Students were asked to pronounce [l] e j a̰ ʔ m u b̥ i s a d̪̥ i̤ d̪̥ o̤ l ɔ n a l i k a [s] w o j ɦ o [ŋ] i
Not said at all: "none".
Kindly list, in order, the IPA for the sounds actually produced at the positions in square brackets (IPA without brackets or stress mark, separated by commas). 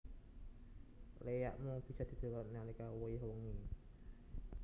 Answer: l, none, ŋ